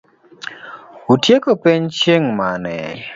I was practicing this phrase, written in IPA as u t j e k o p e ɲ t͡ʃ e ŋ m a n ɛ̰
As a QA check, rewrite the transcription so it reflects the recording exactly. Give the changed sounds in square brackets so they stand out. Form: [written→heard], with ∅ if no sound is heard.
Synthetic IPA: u t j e k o p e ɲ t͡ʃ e ŋ m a n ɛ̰